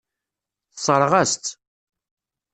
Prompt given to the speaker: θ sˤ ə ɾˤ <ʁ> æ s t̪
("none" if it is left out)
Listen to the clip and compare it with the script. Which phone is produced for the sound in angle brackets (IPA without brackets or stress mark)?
ʁ